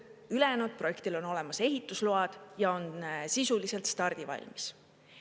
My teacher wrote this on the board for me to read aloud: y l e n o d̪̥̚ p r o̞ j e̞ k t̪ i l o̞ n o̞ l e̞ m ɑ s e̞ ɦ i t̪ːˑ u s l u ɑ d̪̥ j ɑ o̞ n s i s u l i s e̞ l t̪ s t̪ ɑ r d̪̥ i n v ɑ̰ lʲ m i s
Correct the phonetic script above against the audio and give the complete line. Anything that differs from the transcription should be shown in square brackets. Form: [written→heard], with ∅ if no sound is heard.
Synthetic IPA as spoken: y l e n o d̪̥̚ p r o̞ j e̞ k t̪ i l o̞ n o̞ l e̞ m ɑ s e̞ ɦ i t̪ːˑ u s l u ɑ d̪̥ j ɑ o̞ n s i s u l i s e̞ l t̪ s t̪ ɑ r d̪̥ i [n→∅] v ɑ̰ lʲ m i s